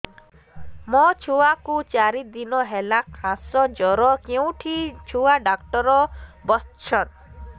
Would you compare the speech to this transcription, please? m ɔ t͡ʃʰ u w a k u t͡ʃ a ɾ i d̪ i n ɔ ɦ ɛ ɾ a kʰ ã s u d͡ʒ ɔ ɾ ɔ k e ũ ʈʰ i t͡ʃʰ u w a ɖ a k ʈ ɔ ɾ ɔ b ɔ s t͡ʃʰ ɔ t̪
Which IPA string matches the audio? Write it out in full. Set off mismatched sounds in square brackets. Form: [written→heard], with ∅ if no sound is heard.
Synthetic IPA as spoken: m ɔ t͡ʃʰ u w a k u t͡ʃ a ɾ i d̪ i n ɔ ɦ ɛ [ɾ→l] a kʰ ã s [u→ɔ] d͡ʒ ɔ ɾ ɔ k e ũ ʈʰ i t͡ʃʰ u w a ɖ a k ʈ ɔ ɾ ɔ b ɔ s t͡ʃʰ ɔ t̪